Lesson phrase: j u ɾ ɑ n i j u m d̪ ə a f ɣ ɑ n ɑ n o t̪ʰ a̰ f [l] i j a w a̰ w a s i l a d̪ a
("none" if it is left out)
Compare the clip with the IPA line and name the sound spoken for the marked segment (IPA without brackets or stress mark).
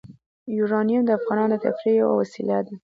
ɾ